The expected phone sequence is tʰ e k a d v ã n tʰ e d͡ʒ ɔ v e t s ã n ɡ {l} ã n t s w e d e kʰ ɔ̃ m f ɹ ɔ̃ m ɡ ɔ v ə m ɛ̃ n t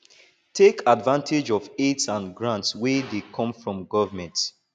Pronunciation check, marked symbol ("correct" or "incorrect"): incorrect